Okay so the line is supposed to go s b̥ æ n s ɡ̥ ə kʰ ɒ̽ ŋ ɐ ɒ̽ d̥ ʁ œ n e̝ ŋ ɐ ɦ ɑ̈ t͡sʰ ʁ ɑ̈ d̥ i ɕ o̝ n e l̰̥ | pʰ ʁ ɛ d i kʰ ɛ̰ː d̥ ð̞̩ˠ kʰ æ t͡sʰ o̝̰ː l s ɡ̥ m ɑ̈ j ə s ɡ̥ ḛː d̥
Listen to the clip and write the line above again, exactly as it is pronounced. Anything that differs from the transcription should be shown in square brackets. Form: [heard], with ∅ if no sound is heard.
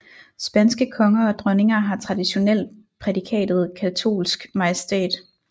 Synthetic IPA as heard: s b̥ æ n s ɡ̥ ə kʰ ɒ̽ ŋ ɐ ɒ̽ d̥ ʁ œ n e̝ ŋ ɐ ɦ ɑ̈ t͡sʰ ʁ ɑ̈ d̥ i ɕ o̝ n e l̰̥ | pʰ ʁ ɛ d i kʰ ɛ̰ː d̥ ð̞̩ˠ kʰ æ t͡sʰ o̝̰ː l s ɡ̥ m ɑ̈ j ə s [d̥] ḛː d̥